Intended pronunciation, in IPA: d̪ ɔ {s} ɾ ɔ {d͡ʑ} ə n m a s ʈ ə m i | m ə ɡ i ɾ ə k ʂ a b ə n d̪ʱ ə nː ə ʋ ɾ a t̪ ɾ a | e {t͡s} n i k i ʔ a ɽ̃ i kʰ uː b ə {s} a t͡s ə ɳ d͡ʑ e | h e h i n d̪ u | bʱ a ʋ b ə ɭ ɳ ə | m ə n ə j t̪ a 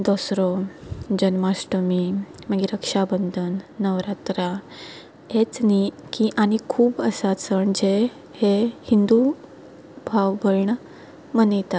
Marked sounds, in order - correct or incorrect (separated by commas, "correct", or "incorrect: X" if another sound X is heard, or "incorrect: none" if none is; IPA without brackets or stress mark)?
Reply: correct, correct, correct, correct